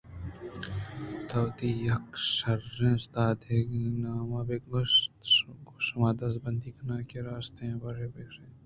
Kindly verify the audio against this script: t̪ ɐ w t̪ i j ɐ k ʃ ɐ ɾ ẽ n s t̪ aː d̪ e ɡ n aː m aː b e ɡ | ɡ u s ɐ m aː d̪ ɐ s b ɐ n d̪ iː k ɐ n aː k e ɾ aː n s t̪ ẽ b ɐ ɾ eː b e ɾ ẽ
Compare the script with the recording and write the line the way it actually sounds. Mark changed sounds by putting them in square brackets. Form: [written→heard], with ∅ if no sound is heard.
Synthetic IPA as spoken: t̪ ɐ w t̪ i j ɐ k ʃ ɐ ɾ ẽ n s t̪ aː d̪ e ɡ n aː m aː b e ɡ | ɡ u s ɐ m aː d̪ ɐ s b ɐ n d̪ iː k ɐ n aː k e ɾ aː [n→∅] s t̪ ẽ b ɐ ɾ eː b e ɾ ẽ

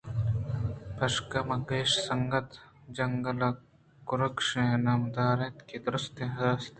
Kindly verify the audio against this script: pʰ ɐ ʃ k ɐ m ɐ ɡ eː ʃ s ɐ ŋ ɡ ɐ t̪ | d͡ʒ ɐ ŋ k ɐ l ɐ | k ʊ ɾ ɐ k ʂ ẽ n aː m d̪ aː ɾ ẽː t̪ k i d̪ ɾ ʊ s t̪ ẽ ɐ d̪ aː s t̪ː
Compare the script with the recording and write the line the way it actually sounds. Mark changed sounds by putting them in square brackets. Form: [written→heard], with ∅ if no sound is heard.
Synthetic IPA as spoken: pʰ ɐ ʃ k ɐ m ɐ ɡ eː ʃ s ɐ ŋ ɡ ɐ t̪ | d͡ʒ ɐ ŋ [k→ɡ] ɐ l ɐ | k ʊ ɾ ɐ k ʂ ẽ n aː m d̪ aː ɾ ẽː t̪ k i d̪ ɾ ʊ s t̪ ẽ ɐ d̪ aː s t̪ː

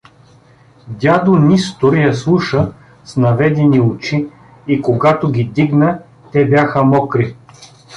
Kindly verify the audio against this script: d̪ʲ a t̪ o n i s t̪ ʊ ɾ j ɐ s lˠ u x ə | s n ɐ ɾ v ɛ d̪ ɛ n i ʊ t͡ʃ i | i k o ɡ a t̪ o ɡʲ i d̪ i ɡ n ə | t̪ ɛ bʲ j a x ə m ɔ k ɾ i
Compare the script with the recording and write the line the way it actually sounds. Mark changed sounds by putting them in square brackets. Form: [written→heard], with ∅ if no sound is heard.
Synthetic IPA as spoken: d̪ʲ a [t̪→d̪] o n i s t̪ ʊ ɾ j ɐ s lˠ u [x→ʃ] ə | s n ɐ [ɾ→∅] v ɛ d̪ ɛ n i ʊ t͡ʃ i | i k o ɡ a t̪ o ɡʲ i d̪ i ɡ n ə | t̪ ɛ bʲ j a x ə m ɔ k ɾ i

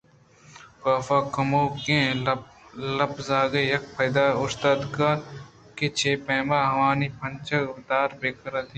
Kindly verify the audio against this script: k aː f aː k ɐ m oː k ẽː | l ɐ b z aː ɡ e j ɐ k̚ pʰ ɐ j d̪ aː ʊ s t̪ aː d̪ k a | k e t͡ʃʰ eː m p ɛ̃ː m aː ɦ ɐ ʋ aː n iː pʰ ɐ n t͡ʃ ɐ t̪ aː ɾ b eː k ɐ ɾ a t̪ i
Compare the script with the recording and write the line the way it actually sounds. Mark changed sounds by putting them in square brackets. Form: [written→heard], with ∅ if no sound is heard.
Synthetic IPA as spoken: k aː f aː k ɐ m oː k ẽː | l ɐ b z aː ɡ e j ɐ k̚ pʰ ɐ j d̪ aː ʊ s t̪ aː d̪ k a | k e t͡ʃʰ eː [m→∅] p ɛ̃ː m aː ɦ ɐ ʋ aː n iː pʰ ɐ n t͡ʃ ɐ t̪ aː ɾ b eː k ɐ ɾ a t̪ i

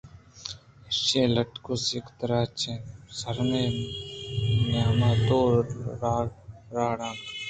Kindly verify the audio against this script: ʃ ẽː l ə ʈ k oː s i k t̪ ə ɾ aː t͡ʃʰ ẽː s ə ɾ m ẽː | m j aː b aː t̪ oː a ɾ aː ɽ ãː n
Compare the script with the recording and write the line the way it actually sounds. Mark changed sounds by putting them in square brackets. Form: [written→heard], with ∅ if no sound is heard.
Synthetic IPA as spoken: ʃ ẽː l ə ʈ k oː s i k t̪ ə ɾ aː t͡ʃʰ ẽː s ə ɾ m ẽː | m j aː [b→m] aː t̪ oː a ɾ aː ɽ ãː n

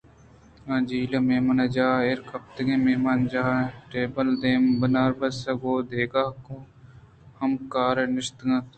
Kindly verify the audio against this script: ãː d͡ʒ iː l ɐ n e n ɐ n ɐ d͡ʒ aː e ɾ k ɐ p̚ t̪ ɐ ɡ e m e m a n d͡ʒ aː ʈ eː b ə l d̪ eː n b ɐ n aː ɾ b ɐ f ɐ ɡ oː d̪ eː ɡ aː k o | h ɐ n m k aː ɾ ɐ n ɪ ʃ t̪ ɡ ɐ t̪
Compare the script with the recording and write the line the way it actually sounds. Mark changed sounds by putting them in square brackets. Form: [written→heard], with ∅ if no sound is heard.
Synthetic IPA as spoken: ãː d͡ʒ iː l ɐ [n→m] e [n→m] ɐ n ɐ d͡ʒ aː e ɾ k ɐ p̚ t̪ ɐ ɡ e m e m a n d͡ʒ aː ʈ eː b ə l d̪ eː [n→m] b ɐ n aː ɾ b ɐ [f→s] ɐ ɡ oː d̪ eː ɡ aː k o | h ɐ [n→∅] m k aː ɾ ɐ n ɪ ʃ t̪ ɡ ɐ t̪

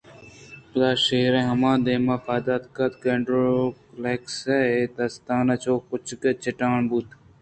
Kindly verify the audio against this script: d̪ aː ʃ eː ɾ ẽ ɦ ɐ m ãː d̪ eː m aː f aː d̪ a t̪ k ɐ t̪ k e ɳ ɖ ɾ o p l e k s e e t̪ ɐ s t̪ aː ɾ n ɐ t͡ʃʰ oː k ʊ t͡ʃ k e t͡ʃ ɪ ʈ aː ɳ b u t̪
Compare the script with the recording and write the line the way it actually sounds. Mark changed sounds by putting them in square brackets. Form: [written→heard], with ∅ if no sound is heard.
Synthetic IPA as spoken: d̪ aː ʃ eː ɾ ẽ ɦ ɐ m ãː d̪ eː m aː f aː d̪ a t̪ k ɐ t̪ k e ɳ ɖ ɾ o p l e k s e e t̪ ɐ s t̪ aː [ɾ→∅] n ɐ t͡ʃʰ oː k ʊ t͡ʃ k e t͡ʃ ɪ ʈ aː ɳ b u t̪

